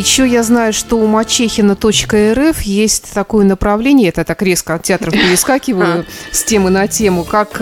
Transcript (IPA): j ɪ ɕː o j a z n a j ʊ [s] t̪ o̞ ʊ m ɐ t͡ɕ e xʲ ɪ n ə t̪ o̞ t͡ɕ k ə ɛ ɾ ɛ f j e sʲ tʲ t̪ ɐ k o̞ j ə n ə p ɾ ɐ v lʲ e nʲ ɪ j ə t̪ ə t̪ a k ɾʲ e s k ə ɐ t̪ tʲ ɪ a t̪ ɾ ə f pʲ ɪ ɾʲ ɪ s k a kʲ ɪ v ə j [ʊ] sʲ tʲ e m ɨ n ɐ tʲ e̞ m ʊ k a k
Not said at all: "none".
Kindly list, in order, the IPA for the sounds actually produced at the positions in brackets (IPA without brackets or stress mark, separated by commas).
ʂ, ʊ